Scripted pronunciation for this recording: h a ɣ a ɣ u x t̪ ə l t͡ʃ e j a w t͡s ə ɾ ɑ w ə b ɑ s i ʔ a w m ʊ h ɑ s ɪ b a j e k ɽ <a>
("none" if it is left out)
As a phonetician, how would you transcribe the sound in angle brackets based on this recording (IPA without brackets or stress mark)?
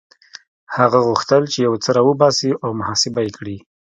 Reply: i